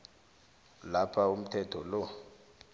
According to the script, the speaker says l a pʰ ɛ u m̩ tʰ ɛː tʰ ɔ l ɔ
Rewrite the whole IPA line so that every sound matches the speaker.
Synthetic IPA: l a pʰ a u m̩ tʰ ɛ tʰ ɔ l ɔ